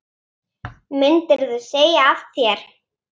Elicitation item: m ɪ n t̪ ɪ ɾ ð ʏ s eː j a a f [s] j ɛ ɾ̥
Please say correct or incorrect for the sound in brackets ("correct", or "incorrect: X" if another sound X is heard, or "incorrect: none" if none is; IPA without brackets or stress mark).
incorrect: θ